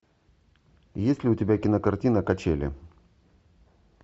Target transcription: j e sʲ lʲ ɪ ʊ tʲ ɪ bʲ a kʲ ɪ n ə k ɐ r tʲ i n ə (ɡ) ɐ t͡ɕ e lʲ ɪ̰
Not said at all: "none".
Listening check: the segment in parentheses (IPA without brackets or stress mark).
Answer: k